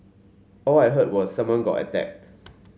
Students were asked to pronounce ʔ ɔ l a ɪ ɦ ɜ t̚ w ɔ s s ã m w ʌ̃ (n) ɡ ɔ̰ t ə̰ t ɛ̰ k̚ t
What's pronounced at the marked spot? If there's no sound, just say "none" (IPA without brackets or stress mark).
n